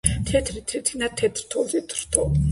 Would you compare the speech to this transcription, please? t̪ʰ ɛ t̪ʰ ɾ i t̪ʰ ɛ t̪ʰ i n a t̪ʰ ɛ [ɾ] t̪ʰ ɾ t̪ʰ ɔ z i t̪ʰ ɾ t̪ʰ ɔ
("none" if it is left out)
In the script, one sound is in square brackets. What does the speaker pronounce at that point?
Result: none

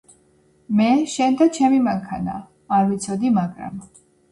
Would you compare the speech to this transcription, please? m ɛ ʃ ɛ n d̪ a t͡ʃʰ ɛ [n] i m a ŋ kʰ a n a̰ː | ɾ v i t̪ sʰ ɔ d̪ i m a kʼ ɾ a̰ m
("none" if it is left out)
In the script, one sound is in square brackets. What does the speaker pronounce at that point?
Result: m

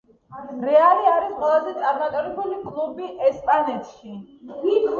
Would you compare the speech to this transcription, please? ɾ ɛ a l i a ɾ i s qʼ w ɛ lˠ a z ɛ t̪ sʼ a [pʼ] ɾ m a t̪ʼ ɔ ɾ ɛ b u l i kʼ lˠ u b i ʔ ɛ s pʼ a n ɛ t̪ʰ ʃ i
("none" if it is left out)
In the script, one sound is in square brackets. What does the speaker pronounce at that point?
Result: none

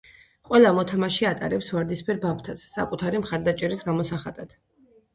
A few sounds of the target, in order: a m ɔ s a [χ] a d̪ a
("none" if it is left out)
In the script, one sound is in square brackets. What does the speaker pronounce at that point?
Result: χ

